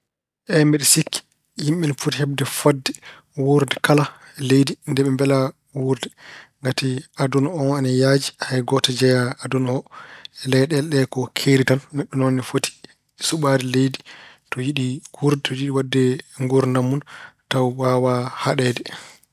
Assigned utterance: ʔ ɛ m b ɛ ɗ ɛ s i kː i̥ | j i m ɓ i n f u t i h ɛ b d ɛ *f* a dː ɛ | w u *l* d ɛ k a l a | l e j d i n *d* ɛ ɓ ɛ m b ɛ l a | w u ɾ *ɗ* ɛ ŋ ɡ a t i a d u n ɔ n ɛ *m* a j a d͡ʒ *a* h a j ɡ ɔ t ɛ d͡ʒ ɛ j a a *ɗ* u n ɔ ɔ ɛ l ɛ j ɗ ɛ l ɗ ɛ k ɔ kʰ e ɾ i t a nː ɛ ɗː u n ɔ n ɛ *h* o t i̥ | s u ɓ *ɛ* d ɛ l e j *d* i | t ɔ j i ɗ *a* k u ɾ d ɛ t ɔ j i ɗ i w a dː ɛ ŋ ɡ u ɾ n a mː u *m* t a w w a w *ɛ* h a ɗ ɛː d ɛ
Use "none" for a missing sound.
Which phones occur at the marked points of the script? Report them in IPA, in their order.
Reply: f, ɾ, d, d, n, i, d, f, a, d, i, n, a

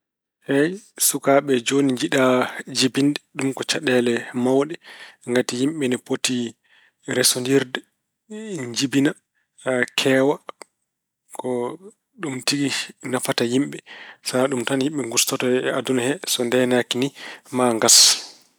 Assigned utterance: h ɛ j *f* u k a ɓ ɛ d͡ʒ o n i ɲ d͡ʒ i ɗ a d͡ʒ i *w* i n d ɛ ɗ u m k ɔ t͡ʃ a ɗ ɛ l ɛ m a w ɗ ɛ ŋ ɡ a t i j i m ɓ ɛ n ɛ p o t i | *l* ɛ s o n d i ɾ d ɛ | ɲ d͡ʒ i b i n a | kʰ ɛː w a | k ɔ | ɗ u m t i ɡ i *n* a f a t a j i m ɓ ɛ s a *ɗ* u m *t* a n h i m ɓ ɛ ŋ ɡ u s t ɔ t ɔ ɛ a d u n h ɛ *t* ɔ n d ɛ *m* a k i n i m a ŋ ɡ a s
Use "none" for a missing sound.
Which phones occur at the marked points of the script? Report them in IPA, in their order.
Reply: s, b, ɾ, n, ɗ, t, s, n

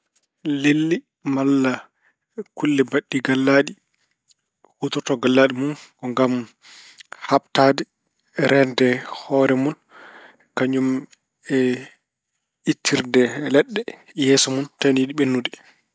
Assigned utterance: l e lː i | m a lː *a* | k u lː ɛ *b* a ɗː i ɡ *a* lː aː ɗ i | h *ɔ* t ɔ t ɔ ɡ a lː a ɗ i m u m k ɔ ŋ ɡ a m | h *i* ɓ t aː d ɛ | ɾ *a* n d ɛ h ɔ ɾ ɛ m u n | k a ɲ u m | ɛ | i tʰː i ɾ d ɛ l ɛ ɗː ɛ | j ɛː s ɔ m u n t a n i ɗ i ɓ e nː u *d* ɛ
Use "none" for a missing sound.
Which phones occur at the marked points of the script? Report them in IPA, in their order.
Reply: a, b, a, u, a, ɛ, d

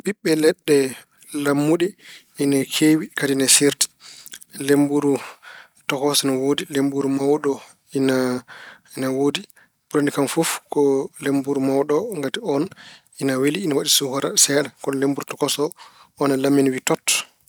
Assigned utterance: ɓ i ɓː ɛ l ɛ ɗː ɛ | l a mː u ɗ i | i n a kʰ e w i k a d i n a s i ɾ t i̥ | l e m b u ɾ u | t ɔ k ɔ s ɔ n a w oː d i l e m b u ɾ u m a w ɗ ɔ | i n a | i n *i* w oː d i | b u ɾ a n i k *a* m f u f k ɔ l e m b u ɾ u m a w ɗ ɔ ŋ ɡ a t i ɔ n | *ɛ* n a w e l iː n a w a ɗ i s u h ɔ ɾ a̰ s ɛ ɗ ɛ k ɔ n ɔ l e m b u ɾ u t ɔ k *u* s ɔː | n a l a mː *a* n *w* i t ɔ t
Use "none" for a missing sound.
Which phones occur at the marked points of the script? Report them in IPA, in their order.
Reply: a, a, i, ɔ, i, w

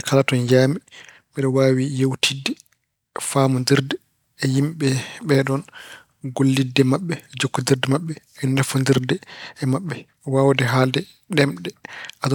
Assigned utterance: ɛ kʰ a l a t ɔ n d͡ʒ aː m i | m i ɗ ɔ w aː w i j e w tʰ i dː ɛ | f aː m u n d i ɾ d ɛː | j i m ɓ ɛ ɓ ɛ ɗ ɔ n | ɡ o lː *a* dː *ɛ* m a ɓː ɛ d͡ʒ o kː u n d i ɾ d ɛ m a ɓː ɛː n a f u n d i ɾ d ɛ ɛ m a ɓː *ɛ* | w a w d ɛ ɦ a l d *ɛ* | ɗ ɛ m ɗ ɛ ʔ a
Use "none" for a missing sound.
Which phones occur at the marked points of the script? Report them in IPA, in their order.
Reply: i, ɛ, ɛ, ɛ

